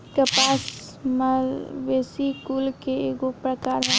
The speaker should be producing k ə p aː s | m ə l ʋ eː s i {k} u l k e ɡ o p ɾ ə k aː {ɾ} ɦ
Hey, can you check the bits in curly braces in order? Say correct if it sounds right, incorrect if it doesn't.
correct, correct

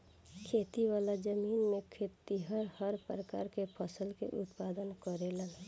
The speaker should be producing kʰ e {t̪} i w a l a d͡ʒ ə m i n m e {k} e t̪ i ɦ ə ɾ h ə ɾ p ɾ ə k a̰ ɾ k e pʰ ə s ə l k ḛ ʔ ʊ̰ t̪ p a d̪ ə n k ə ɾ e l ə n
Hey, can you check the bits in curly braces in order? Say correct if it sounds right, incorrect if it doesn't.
correct, incorrect: kʰ

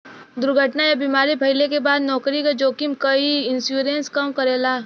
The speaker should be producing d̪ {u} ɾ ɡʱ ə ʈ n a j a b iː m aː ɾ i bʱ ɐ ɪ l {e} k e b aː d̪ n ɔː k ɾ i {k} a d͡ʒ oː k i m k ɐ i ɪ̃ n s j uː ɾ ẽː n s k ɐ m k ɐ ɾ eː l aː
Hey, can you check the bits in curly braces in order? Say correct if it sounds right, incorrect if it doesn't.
incorrect: ʊ, correct, correct

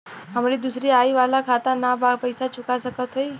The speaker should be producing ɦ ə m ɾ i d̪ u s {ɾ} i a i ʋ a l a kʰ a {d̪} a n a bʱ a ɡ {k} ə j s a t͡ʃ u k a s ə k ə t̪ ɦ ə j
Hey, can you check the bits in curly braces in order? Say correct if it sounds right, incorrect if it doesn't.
correct, incorrect: t̪, incorrect: p

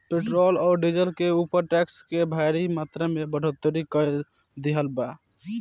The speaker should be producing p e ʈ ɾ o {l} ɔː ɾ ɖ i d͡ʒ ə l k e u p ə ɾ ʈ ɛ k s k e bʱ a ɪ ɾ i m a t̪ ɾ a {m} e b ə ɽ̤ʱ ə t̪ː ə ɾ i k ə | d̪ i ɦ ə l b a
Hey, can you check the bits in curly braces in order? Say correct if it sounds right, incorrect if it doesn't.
correct, correct

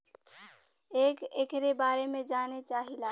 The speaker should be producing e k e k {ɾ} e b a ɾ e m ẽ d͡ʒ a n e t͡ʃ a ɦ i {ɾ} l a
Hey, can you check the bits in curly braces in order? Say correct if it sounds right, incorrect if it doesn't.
correct, incorrect: none

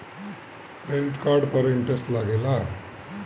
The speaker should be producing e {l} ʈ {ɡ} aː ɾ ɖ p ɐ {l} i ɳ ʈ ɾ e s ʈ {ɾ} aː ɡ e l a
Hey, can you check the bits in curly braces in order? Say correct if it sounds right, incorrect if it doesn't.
correct, incorrect: k, incorrect: ɾ, incorrect: l

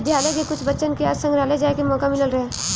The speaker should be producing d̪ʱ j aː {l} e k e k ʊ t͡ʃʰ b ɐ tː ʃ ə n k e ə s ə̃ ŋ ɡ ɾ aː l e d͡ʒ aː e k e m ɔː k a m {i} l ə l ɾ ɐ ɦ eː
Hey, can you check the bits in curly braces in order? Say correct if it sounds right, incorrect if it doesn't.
correct, incorrect: ɪ

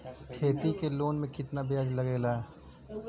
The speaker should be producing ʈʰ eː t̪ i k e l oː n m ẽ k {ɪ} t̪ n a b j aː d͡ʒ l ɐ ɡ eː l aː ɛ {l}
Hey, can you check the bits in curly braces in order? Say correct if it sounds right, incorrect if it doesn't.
correct, incorrect: none

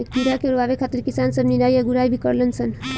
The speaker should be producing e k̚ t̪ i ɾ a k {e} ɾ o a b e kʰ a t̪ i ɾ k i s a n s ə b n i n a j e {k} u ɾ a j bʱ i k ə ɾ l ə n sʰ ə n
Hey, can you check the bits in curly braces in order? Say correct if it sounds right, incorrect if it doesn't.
correct, incorrect: ɡ

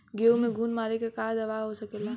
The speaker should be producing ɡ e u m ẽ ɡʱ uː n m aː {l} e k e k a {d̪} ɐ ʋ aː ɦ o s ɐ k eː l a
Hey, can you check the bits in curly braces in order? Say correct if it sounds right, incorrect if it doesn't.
incorrect: ɾ, correct

